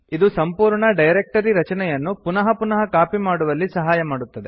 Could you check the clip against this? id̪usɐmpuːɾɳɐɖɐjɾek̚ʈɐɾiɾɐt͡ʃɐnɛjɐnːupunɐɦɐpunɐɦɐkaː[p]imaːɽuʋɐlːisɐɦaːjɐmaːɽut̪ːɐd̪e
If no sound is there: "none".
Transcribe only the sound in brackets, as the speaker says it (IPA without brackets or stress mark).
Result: p